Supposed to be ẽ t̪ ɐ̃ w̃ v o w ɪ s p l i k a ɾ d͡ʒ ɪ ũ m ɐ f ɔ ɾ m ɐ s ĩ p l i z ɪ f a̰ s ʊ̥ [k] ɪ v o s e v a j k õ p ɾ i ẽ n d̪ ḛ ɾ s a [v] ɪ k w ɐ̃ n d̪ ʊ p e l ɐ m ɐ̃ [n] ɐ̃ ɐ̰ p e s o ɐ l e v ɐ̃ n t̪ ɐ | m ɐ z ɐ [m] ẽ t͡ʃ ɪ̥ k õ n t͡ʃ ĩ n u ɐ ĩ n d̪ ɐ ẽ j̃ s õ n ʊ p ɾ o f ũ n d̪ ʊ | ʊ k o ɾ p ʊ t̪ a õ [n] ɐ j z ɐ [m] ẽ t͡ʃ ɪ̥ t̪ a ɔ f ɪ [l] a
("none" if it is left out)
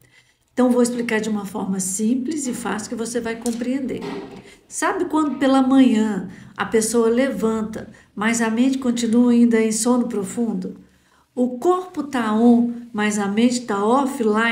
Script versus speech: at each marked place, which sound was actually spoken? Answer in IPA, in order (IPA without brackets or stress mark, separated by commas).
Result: k, b, ɲ, m, m, m, l